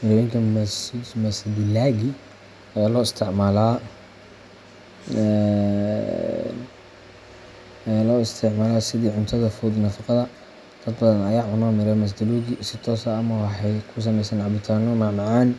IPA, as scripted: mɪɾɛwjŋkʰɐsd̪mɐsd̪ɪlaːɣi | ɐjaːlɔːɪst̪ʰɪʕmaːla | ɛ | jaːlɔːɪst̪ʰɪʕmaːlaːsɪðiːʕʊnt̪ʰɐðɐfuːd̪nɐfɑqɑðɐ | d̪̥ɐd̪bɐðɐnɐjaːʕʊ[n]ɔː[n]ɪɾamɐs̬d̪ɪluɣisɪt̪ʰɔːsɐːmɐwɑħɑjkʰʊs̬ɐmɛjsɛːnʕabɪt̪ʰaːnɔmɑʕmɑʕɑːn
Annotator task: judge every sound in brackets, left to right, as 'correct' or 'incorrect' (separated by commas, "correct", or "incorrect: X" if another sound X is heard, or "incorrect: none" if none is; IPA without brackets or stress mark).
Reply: correct, incorrect: m